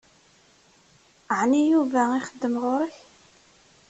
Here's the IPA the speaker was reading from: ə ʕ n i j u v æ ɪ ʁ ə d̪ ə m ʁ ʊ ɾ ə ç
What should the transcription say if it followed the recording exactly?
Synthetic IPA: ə ʕ n i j u v æ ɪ χ ə d̪ː ə m ʁ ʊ ɾ ə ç

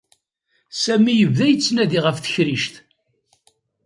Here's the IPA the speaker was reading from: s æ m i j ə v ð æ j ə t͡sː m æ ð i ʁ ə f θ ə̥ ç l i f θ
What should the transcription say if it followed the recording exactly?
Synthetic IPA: s æ m i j ə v ð æ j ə t͡sː n æ ð i ʁ ə f θ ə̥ ç ɾ i ʃ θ

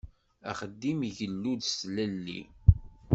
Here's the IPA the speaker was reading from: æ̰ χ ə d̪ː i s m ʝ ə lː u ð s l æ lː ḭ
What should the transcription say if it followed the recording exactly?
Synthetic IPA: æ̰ χ ə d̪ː i m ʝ ə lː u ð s l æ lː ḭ

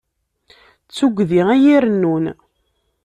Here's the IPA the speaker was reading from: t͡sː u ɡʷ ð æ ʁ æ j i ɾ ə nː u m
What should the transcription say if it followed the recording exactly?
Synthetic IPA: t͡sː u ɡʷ ð i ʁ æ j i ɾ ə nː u n

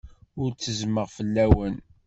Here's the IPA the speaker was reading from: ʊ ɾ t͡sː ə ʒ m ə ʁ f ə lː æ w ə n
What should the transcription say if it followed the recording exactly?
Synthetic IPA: ʊ ɾ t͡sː ə z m ə ʁ f ə lː æ w ə n

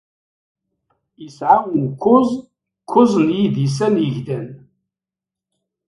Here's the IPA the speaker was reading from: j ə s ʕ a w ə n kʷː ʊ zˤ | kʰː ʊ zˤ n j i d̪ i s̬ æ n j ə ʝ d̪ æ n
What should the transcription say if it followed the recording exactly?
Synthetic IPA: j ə s ʕ a w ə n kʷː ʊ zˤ | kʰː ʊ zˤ n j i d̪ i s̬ æ n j ə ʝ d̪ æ n

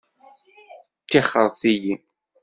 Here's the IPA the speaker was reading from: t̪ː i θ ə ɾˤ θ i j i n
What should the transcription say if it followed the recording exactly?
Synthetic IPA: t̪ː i χ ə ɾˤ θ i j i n

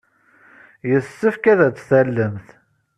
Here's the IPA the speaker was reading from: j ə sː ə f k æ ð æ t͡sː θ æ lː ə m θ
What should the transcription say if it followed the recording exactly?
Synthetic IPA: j ə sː ə f k æ ð æ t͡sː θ æ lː ə m θ

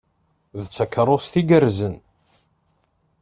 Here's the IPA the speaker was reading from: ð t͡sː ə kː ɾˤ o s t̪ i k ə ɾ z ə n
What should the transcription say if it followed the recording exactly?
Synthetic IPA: ð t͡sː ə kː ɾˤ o s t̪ i ɡ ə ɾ z ə n

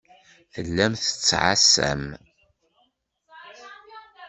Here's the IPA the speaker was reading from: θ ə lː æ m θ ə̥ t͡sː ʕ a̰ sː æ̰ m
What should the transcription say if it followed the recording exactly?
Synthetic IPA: θ ə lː æ m θ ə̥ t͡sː ʕ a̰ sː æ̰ m

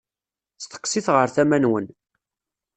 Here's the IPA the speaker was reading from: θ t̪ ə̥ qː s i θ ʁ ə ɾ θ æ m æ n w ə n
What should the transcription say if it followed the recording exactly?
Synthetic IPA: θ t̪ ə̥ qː s i θ ʁ ə ɾ θ æ m æ n w ə n

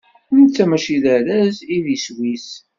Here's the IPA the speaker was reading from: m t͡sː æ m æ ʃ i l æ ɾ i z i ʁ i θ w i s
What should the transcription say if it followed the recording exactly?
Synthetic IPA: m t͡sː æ m æ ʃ i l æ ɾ æ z i ð i s w i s

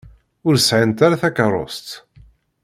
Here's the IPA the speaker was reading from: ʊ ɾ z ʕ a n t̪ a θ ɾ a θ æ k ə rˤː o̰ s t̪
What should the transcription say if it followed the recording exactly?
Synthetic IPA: ʊ ɾ s ʕ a n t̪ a ɾ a θ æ k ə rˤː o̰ s t̪

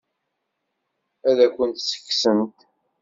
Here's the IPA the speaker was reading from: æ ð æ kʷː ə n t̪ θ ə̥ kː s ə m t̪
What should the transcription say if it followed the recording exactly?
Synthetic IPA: æ ð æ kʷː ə n t̪ s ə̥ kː s ə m t̪

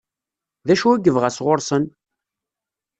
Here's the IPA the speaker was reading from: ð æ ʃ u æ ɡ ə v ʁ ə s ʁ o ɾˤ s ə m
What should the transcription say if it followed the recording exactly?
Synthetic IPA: ð æ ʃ u æ ɡ ə v ʁ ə s ʁ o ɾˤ s ə n

